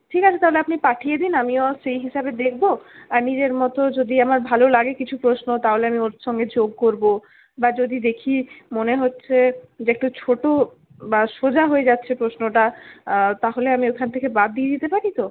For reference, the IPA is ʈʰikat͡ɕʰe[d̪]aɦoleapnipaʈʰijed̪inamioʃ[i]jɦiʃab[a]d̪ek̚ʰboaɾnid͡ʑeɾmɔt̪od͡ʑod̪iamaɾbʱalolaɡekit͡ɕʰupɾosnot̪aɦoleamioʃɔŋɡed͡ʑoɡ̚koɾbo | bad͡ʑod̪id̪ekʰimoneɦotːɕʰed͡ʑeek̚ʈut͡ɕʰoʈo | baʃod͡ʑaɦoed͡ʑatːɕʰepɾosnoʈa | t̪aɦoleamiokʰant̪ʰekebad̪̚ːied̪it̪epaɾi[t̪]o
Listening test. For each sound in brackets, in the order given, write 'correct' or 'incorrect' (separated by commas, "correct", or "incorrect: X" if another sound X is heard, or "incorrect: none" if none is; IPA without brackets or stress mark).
incorrect: t̪, incorrect: e, incorrect: e, correct